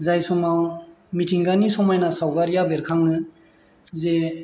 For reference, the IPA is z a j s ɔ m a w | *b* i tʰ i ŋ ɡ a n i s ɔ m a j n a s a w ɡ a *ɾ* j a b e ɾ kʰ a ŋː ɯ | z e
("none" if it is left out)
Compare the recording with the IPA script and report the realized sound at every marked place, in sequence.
m, ɾ

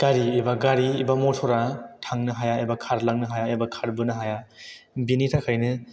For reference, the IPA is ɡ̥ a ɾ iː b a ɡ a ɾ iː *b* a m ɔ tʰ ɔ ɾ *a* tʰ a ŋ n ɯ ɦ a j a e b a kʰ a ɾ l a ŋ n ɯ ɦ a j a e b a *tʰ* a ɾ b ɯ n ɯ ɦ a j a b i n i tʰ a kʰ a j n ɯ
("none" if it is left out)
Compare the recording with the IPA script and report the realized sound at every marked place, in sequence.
b, a, kʰ

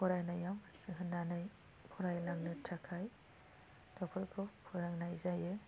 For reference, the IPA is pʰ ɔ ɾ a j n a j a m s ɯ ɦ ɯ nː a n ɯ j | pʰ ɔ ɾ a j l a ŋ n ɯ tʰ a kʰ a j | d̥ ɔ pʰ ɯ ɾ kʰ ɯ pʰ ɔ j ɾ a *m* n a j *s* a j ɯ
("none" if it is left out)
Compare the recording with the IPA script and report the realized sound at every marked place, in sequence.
ŋ, z

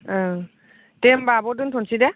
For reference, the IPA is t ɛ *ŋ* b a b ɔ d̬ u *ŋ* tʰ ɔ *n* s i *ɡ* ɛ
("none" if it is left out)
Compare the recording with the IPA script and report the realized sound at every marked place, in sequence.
m, n, n, d

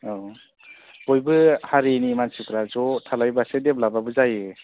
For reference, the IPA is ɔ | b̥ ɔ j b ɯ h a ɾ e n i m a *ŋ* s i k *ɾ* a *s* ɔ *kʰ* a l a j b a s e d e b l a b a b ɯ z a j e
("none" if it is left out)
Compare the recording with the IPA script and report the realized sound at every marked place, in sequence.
n, ɾ, z, tʰ

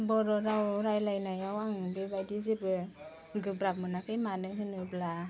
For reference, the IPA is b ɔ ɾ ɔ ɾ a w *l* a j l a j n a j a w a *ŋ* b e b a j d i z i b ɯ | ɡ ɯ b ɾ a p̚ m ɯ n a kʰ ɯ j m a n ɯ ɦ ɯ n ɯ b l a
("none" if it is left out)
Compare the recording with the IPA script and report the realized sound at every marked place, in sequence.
ɾ, ŋ

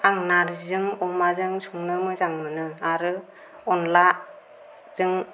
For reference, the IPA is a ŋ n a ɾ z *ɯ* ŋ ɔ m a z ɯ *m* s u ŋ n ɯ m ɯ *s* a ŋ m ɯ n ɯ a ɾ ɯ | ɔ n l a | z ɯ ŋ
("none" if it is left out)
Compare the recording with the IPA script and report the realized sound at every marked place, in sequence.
ɯ, ŋ, z

